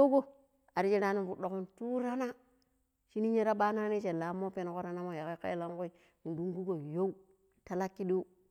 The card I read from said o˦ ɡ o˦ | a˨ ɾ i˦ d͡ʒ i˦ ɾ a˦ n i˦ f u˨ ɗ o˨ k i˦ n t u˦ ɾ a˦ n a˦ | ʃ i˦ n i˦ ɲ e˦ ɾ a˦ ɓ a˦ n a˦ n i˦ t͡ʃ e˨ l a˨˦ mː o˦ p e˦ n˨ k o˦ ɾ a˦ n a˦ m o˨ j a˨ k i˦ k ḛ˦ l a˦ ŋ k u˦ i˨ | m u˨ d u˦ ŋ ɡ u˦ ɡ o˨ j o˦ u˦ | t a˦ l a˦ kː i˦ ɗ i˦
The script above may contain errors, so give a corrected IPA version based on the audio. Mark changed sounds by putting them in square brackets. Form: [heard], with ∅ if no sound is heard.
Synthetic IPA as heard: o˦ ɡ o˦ | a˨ ɾ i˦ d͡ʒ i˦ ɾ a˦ n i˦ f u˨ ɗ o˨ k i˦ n t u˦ ɾ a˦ n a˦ | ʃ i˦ n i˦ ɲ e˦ ɾ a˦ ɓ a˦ n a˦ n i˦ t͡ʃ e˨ l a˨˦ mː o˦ p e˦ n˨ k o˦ ɾ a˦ n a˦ m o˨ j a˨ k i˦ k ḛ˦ l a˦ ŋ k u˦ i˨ | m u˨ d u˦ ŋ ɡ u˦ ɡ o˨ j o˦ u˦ | t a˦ l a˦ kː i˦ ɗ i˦